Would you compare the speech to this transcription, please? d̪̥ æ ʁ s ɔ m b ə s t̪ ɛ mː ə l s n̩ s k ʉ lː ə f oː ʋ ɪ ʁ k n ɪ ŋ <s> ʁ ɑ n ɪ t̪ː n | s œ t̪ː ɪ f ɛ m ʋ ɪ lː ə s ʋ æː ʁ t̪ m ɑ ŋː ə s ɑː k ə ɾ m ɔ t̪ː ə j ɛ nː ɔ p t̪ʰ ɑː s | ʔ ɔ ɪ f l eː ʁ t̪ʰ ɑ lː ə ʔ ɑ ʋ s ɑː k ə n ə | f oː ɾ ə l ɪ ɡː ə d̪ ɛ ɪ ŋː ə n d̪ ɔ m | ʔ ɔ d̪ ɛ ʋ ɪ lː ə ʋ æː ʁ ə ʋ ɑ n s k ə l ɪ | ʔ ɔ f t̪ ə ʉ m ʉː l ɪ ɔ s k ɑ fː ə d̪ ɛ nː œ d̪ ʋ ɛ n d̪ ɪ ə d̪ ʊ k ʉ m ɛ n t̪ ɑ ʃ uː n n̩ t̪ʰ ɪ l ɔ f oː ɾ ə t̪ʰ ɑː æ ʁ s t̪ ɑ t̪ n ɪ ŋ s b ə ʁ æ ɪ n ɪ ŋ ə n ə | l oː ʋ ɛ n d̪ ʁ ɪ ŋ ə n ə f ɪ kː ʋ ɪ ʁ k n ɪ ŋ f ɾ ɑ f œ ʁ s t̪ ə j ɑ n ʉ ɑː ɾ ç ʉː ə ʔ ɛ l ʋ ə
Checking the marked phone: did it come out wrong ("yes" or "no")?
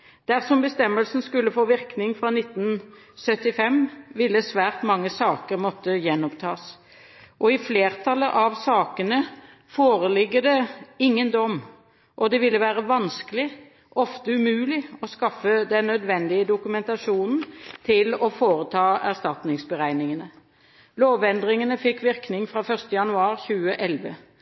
yes